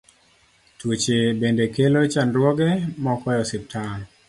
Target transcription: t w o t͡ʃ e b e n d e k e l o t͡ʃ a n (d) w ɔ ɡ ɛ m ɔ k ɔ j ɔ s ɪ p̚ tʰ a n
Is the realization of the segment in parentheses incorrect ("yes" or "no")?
no